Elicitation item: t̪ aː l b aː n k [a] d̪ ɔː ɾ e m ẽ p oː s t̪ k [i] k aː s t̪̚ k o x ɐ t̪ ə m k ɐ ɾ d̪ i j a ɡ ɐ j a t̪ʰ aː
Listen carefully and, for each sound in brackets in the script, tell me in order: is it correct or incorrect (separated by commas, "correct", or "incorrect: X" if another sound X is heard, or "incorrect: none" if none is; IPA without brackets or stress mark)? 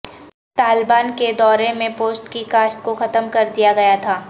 incorrect: e, correct